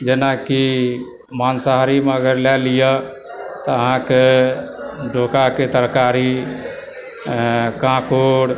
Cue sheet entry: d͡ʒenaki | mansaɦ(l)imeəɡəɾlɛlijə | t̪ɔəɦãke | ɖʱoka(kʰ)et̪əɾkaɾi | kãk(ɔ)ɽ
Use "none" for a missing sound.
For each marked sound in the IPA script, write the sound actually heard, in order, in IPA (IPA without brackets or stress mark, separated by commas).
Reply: ɾ, k, o